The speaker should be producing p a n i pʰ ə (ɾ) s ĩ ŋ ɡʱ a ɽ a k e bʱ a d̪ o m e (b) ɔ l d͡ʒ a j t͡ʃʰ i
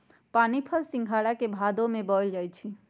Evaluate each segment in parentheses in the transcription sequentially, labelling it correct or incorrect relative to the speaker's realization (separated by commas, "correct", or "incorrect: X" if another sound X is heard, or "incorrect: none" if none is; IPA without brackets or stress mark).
incorrect: l, correct